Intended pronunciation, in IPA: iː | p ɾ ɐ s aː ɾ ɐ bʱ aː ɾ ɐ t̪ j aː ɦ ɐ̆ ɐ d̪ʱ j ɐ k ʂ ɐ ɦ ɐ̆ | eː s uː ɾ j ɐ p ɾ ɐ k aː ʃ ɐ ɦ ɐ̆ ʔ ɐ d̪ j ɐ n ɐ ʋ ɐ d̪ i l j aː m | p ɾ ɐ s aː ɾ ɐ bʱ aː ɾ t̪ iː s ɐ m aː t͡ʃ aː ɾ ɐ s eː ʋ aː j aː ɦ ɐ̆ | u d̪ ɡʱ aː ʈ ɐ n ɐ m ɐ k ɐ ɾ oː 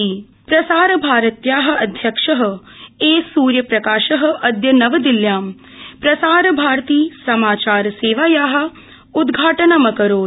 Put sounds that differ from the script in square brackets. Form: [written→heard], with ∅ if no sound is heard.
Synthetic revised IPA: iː | p ɾ ɐ s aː ɾ ɐ bʱ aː ɾ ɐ t̪ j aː ɦ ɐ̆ ɐ d̪ʱ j ɐ k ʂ ɐ ɦ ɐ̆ | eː s uː ɾ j ɐ p ɾ ɐ k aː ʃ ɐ ɦ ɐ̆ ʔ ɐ d̪ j ɐ n ɐ ʋ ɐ d̪ i l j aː m | p ɾ ɐ s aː ɾ ɐ bʱ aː ɾ t̪ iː s ɐ m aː t͡ʃ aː ɾ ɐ s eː ʋ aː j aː ɦ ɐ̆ | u d̪ ɡʱ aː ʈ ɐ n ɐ m ɐ k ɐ ɾ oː